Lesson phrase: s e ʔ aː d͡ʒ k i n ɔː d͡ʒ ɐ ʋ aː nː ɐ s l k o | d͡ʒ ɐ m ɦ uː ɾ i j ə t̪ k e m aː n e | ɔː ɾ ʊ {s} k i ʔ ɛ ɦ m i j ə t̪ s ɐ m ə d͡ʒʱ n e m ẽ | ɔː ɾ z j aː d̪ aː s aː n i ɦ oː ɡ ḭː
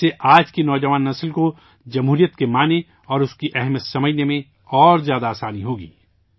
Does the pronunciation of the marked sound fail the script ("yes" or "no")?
no